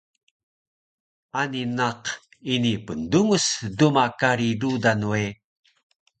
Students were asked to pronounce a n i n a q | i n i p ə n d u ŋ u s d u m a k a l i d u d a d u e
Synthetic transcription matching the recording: a n i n a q | i n i p ə n d u ŋ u s d u m a k a ɾ i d u d a n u e